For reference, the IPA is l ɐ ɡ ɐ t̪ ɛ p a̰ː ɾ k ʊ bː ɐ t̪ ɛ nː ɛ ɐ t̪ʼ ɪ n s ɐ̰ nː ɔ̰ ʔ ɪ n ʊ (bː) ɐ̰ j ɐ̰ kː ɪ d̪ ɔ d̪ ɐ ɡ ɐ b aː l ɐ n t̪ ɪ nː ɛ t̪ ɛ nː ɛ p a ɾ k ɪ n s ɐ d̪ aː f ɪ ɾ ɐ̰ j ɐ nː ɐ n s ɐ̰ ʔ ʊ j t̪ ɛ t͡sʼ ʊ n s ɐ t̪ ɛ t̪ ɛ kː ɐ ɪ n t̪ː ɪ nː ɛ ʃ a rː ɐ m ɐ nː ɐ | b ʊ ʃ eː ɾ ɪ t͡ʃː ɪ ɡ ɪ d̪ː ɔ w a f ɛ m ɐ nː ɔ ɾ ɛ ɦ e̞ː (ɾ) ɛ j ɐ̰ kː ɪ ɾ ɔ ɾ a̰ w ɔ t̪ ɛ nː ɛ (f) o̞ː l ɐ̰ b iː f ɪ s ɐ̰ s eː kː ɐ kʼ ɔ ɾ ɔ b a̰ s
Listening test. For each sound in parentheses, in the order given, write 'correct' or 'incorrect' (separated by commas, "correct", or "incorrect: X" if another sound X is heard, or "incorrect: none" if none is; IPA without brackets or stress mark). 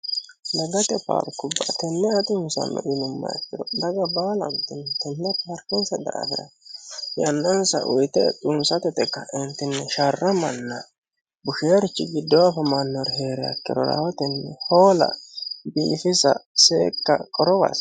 incorrect: mː, correct, incorrect: h